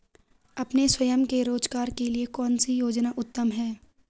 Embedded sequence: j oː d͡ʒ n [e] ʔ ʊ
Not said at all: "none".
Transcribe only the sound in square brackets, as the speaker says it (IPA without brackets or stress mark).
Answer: a